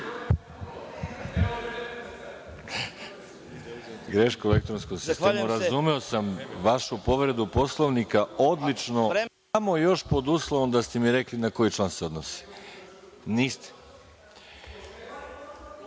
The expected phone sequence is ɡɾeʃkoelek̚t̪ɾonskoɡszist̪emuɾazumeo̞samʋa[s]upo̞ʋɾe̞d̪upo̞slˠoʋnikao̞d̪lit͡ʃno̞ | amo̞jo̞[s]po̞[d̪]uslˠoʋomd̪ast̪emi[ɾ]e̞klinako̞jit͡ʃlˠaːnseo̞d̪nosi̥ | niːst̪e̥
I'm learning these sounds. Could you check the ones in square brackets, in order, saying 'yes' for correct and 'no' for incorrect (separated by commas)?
no, no, yes, yes